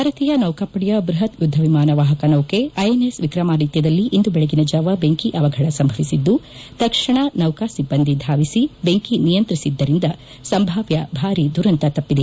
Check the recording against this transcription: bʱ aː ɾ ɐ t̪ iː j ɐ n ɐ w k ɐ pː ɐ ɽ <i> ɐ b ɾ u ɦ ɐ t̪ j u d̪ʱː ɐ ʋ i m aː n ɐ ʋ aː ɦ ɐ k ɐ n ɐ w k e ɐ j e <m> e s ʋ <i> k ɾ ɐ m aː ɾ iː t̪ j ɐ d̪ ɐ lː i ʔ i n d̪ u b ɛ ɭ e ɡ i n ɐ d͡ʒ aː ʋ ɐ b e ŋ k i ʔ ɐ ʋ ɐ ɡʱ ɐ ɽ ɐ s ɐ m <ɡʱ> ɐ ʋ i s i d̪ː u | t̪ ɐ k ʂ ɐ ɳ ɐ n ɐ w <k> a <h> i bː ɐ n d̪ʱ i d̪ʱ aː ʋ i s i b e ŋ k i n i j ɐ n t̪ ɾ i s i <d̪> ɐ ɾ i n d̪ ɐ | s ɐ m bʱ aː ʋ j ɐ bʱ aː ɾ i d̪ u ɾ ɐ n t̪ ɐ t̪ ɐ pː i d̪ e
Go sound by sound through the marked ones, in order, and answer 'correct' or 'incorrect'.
incorrect: j, incorrect: n, correct, incorrect: bʱ, correct, incorrect: s, incorrect: d̪ː

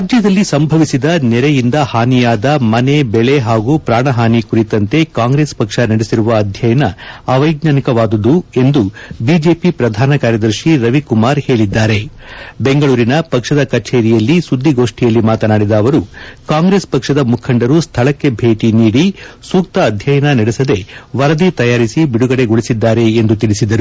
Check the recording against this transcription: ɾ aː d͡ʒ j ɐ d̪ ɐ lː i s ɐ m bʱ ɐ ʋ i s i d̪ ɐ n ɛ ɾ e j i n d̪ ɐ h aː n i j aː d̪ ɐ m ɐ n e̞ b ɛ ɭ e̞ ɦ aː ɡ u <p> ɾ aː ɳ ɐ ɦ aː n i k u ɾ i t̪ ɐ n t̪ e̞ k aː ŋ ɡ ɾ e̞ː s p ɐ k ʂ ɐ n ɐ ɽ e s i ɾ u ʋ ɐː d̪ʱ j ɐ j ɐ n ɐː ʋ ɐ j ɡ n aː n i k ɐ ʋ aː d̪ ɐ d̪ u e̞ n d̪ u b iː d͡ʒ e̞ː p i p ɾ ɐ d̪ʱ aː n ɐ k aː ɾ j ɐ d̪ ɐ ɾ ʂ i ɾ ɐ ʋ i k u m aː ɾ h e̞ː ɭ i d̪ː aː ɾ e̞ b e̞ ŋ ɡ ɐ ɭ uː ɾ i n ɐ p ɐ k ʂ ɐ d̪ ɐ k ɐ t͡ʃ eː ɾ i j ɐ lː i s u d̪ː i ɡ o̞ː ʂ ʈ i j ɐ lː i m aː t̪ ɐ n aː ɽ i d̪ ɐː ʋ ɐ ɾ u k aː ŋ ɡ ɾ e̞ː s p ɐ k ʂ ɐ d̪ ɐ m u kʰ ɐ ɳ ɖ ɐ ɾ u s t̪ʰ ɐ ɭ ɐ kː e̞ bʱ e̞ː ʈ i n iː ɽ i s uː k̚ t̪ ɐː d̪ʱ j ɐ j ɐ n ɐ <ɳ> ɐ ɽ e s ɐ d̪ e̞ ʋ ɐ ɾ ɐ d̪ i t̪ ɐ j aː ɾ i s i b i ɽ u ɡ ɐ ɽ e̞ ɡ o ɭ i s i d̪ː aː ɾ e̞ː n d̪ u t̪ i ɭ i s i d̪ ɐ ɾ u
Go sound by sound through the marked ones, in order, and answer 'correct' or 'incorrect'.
correct, incorrect: n

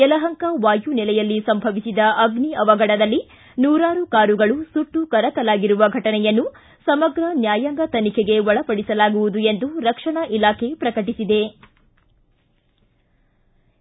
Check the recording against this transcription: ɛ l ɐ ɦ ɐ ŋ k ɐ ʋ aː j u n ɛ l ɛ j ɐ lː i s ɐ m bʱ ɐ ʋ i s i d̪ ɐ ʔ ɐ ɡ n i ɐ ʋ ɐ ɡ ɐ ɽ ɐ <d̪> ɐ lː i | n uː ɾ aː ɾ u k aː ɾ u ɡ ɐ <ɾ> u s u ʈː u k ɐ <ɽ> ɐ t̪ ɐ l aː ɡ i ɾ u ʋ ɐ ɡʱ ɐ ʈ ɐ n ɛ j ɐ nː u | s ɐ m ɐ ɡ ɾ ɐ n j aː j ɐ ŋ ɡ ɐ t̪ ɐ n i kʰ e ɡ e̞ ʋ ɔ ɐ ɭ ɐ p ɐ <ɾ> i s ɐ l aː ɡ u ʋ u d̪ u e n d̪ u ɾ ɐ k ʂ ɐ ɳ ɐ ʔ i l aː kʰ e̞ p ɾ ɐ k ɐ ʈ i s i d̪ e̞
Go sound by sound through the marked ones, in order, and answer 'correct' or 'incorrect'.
correct, incorrect: ɭ, incorrect: ɾ, incorrect: ɽ

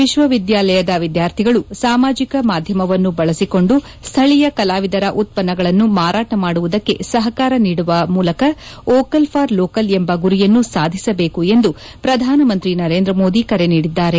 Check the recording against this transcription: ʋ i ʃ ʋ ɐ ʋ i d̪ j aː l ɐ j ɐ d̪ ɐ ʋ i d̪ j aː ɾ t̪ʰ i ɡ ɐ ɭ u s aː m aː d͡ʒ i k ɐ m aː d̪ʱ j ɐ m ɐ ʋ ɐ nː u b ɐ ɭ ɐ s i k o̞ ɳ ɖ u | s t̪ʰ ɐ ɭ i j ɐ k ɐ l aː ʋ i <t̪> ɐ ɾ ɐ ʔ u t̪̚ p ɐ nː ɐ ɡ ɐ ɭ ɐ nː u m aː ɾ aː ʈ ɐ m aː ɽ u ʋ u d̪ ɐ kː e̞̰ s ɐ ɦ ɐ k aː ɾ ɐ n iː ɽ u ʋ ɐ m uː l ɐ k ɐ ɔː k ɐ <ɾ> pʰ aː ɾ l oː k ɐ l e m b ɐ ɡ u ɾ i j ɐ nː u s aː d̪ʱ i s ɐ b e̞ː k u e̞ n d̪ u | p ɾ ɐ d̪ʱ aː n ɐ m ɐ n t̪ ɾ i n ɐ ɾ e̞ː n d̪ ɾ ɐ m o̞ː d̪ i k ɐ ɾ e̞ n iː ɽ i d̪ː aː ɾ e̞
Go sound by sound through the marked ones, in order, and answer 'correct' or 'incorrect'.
incorrect: d̪, incorrect: l

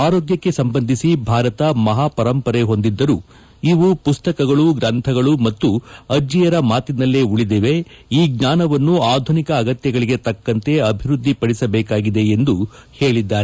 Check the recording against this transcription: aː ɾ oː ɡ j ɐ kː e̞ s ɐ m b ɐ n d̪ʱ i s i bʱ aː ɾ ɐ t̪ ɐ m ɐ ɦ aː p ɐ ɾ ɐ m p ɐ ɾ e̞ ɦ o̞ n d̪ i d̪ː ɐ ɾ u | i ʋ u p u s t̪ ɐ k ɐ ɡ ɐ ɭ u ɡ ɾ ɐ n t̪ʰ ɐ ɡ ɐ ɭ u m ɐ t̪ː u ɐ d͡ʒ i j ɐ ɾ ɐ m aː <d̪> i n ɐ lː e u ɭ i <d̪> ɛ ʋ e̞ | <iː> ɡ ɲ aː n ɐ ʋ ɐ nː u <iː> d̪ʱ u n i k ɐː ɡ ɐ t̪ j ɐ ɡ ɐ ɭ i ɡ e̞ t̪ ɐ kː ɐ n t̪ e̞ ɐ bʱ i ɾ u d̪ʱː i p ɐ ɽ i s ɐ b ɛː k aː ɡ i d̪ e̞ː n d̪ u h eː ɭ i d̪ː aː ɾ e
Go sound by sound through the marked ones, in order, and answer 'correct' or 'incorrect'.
incorrect: t̪, correct, correct, incorrect: aː

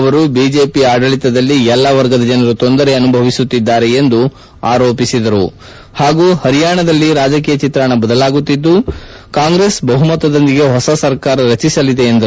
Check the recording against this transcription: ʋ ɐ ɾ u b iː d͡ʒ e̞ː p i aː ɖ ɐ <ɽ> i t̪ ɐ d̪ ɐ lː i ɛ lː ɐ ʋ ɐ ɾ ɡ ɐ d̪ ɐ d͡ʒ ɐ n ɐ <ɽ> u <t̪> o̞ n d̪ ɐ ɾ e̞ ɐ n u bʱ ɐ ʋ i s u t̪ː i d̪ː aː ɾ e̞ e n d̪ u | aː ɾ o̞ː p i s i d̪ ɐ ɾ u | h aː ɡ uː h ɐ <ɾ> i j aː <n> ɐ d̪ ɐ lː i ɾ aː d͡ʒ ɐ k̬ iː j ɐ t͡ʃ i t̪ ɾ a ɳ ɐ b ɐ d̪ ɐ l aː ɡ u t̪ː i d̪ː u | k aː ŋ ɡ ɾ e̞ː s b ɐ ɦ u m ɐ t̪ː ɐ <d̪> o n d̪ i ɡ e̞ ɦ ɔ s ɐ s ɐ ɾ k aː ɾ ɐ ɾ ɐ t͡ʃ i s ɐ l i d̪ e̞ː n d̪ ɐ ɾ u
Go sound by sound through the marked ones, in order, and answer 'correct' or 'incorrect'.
incorrect: ɭ, incorrect: ɾ, correct, correct, incorrect: ɳ, correct

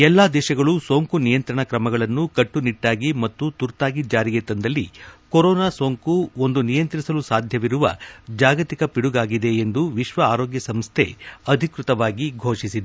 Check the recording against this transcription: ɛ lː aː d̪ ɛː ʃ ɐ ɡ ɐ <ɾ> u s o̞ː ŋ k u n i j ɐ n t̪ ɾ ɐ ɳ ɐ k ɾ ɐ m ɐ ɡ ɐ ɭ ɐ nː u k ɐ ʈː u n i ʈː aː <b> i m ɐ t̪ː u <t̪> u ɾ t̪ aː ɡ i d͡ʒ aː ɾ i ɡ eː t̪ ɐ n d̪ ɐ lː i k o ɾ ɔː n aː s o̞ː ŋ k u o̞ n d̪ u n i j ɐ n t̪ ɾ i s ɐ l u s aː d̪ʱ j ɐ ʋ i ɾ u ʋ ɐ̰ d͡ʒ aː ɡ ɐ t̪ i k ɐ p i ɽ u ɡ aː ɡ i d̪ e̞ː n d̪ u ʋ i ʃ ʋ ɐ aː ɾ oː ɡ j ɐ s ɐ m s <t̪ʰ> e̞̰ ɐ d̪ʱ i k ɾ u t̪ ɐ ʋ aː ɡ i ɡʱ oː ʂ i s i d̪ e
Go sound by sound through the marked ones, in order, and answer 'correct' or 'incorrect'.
incorrect: ɭ, incorrect: ɡ, correct, correct

